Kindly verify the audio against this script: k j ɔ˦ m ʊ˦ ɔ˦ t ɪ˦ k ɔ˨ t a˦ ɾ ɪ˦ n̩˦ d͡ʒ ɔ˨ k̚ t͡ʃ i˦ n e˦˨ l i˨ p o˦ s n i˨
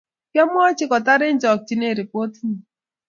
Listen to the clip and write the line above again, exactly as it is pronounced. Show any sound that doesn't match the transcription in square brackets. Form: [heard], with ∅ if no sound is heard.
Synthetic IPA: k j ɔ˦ m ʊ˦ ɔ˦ [t͡ʃ] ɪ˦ k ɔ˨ t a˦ ɾ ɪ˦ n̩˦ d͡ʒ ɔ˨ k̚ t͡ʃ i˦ n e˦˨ [ɾ] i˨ p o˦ [t] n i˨